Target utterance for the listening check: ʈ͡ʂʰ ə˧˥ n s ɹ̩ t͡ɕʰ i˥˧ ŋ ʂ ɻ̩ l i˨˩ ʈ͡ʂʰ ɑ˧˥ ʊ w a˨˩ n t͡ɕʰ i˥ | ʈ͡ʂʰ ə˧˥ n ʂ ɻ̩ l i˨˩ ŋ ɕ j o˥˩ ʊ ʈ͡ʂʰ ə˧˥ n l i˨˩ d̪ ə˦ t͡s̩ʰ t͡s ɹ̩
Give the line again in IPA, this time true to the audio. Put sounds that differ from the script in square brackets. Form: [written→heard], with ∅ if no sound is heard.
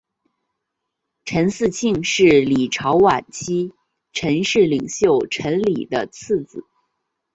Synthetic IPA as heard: ʈ͡ʂʰ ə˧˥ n s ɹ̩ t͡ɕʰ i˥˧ ŋ ʂ ɻ̩ l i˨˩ ʈ͡ʂʰ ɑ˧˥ ʊ w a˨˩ n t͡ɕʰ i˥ | ʈ͡ʂʰ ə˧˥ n ʂ ɻ̩ l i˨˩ ŋ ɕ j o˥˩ ʊ ʈ͡ʂʰ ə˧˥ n l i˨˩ d̪ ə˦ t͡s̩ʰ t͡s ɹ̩